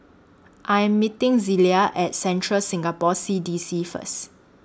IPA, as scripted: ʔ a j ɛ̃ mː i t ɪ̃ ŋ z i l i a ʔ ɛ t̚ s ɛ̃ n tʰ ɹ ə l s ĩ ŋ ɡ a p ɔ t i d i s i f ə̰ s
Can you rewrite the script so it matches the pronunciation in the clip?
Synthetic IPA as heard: ʔ a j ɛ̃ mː i t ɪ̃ ŋ z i l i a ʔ ɛ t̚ s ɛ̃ n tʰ ɹ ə l s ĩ ŋ ɡ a p ɔ s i d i s i f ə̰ s